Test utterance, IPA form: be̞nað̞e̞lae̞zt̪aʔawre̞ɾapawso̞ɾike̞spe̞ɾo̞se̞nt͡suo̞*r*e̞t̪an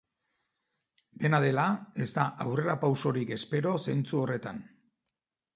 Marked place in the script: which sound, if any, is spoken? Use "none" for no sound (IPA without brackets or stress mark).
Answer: r